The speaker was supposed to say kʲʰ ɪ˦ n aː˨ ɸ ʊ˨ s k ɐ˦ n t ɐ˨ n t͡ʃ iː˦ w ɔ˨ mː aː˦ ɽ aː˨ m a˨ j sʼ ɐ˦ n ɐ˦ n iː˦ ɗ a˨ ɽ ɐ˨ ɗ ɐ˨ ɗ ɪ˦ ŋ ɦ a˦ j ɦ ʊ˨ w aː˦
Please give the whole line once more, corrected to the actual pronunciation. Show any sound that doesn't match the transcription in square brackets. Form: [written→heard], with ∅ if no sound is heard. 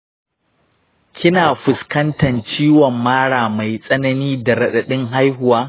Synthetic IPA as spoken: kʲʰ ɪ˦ n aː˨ ɸ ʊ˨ s k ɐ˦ n t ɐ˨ n t͡ʃ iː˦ w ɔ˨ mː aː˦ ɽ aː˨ m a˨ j sʼ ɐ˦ n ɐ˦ n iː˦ [ɗ→d] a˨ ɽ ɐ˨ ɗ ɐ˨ ɗ ɪ˦ ŋ ɦ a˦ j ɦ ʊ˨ w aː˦